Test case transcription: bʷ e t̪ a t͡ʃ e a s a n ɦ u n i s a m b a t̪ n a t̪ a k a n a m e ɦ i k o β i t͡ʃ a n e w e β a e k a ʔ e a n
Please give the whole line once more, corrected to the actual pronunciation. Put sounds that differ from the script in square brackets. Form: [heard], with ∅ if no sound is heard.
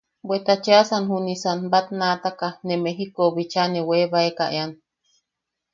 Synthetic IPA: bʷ e t̪ a t͡ʃ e a s a n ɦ u n i s a [n] b a t̪ n a t̪ a k a n [e] m e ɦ i k o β i t͡ʃ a n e w e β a e k a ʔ e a n

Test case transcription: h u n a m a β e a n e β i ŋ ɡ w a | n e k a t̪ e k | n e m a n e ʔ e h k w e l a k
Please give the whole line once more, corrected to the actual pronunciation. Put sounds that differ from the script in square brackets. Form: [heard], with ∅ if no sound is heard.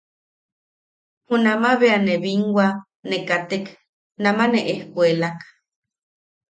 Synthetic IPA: h u n a m a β e a n e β i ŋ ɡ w a | n e k a t̪ e k | n [a] m a n e ʔ e h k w e l a k

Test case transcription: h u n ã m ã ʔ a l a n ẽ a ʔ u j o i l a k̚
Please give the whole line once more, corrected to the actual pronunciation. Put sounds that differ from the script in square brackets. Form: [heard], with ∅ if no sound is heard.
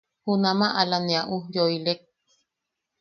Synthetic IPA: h u n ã m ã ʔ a l a n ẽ a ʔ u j o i l [e] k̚

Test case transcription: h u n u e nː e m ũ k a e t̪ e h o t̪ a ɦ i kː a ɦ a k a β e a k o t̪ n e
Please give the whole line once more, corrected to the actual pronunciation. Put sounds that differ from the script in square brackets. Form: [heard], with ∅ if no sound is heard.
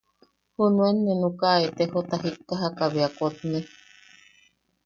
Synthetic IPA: h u n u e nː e [n] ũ k a e t̪ e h o t̪ a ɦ i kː a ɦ a k a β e a k o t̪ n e

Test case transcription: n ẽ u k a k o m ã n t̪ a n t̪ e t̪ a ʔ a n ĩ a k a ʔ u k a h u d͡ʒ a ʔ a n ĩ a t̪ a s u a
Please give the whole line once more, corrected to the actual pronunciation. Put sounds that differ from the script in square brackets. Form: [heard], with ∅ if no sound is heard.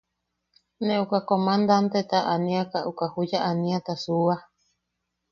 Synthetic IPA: n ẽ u k a k o m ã n [d̪] a n t̪ e t̪ a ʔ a n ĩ a k a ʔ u k a h u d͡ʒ a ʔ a n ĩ a t̪ a s u a

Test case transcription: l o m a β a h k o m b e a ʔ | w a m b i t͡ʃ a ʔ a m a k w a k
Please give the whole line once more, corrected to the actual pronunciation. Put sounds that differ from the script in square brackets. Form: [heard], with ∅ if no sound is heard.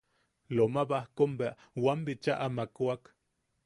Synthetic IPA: l o m a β a h k o m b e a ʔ | w a m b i t͡ʃ a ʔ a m a k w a k

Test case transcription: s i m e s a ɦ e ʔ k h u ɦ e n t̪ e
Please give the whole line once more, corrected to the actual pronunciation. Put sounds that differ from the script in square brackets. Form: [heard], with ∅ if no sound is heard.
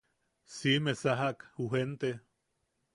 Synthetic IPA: s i m e s a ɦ [a] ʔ k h u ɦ e n t̪ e

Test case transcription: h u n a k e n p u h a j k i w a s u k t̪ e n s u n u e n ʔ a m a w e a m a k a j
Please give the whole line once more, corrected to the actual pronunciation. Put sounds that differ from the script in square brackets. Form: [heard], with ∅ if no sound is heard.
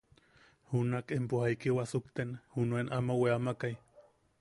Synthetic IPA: h u n a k e [m] p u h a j k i w a s u k t̪ e n [h] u n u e n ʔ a m a w e a m a k a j

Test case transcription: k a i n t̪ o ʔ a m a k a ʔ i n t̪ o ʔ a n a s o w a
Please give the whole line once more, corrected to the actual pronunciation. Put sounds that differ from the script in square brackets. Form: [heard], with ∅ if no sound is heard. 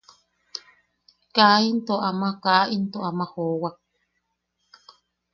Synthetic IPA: k a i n t̪ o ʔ a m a k a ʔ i n t̪ o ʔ a [m] a [h] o w a

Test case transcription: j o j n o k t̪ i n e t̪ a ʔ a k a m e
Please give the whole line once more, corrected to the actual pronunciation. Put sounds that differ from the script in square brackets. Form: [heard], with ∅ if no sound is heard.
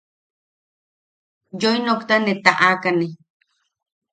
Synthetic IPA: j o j n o k t̪ [a] n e t̪ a ʔ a k a [n] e

